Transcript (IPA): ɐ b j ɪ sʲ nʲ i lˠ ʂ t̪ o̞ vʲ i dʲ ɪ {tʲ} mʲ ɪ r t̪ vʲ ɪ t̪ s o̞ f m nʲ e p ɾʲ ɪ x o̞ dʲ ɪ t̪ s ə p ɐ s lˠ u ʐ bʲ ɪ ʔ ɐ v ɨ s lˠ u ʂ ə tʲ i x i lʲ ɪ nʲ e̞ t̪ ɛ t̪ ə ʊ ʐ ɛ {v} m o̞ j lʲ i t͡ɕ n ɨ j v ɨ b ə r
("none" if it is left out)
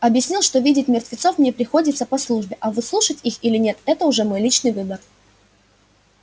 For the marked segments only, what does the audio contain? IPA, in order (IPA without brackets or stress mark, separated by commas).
tʲ, none